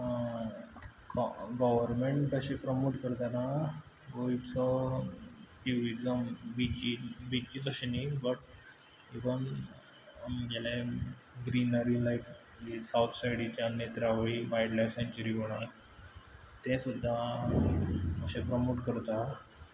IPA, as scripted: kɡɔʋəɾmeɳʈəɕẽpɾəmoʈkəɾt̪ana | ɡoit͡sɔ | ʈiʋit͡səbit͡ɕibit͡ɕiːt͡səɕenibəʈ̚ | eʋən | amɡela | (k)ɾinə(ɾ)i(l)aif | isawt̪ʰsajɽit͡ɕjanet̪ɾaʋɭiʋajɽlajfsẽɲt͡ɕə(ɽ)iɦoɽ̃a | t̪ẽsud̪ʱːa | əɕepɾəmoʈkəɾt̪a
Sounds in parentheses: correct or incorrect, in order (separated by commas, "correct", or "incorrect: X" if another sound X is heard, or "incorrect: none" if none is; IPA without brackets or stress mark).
incorrect: ɡ, correct, correct, incorrect: ɾ